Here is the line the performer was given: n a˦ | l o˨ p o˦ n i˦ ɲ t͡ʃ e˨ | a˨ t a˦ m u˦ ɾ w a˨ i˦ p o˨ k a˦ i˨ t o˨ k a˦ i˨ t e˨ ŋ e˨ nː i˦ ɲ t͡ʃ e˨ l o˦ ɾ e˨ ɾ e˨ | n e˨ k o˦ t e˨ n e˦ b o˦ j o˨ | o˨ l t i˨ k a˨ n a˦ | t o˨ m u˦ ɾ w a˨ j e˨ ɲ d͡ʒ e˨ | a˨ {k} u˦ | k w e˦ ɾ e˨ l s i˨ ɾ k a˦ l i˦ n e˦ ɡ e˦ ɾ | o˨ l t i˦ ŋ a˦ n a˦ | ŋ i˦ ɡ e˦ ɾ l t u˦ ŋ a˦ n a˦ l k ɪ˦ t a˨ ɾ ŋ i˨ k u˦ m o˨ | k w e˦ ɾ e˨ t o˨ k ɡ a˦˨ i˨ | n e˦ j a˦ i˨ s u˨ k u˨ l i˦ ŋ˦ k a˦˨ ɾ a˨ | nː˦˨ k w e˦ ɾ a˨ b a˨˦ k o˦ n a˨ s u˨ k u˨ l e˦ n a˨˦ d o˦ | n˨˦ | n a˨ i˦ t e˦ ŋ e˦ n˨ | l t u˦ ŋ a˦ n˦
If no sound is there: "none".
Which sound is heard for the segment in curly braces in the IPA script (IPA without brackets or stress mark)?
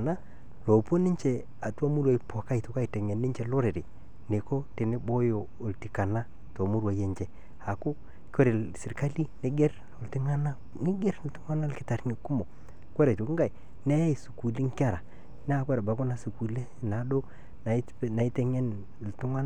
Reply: k